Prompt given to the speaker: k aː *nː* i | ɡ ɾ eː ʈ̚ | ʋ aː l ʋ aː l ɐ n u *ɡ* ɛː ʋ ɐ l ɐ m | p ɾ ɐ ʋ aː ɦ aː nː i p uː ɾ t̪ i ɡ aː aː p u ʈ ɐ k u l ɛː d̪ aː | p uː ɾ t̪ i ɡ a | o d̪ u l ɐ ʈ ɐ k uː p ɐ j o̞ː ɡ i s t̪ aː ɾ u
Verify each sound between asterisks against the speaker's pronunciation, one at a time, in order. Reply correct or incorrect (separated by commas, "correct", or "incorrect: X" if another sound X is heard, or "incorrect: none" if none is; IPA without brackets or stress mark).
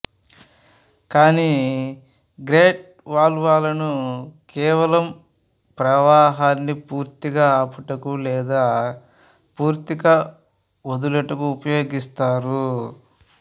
incorrect: n, incorrect: k